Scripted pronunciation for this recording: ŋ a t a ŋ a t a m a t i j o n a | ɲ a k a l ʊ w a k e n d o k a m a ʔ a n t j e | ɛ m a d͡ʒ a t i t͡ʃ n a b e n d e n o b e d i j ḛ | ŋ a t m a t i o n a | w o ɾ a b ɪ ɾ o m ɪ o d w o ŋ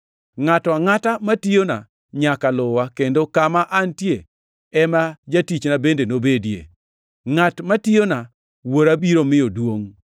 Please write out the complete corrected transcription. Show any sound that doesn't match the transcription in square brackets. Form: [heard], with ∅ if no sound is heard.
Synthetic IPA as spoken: ŋ a t a ŋ a t a m a t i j o n a | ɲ a k a l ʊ w a k e n d o k a m a ʔ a n t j e | ɛ m a d͡ʒ a t i t͡ʃ n a b e n d e n o b e d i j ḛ | ŋ a t m a t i o n a | w o ɾ a b [i] ɾ o m ɪ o d w o ŋ